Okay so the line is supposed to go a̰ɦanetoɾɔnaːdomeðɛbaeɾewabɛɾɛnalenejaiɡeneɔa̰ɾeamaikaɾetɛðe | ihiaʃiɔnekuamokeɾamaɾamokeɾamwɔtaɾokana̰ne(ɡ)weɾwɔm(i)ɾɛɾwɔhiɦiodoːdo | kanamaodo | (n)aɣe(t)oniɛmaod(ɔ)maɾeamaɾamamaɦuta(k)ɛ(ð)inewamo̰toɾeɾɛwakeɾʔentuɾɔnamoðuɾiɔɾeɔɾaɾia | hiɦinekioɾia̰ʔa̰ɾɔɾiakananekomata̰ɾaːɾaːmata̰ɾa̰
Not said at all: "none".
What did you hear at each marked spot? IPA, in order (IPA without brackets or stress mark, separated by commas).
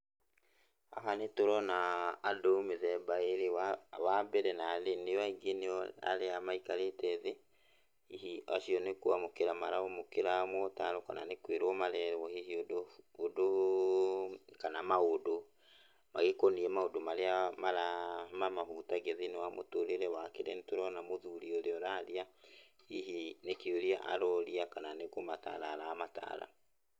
k, a, m, k, o, ɡ, ð